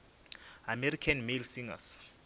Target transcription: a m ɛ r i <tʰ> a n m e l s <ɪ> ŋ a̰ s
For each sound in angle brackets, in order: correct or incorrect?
incorrect: kʰ, incorrect: i

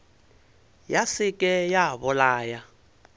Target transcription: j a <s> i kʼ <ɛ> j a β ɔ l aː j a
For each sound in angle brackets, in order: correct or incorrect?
correct, correct

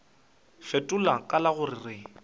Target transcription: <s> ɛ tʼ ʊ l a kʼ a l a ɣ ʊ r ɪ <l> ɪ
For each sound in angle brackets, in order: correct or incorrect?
incorrect: f, incorrect: r

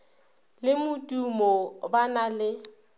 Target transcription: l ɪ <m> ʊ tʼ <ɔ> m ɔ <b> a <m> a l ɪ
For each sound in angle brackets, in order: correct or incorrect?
correct, incorrect: u, correct, incorrect: n

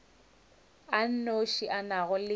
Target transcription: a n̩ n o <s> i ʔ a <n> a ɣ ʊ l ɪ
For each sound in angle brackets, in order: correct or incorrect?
incorrect: ʃ, correct

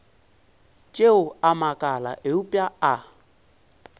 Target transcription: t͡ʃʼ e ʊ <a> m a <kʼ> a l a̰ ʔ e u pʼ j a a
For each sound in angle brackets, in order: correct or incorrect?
correct, correct

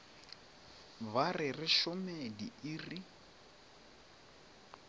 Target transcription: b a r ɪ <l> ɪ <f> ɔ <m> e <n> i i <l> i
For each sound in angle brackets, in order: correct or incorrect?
incorrect: r, incorrect: ʃ, correct, incorrect: d, incorrect: r

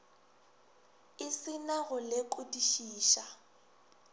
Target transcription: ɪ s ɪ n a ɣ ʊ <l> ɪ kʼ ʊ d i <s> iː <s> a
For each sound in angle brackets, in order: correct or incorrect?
correct, incorrect: ʃ, incorrect: ʃ

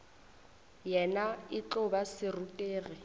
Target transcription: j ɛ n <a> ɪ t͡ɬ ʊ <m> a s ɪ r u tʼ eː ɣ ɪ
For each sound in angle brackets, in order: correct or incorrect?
correct, incorrect: b

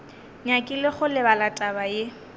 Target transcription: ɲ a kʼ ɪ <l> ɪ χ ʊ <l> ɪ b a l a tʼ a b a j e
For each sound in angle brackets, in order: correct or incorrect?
correct, correct

